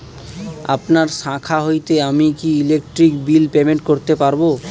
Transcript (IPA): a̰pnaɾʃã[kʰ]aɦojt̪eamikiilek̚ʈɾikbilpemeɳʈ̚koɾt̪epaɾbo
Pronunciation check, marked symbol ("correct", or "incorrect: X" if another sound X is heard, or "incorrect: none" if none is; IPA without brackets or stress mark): correct